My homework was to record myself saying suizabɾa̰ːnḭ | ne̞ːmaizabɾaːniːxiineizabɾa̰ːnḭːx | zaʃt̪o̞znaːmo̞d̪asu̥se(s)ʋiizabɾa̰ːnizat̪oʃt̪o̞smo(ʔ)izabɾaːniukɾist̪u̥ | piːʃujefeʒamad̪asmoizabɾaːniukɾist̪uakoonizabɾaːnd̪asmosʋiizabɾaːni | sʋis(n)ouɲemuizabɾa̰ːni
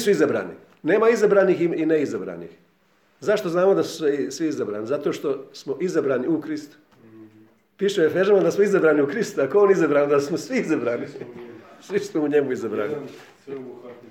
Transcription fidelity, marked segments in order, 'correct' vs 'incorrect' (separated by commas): correct, correct, incorrect